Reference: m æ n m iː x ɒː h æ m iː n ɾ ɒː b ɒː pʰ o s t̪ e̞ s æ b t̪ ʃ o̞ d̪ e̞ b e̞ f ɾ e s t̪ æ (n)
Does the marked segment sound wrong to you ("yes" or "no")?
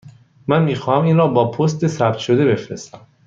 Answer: yes